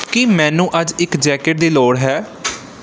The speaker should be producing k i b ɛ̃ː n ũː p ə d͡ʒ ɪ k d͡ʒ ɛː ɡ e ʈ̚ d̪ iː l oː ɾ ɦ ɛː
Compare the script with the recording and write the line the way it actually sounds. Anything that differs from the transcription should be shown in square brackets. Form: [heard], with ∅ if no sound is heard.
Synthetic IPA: k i [m] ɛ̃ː n ũː [ʔ] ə d͡ʒ ɪ k d͡ʒ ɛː [k] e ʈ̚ d̪ iː l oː [ɽ] ɦ ɛː